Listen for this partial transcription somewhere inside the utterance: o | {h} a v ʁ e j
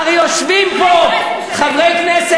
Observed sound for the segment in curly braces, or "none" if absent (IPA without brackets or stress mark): χ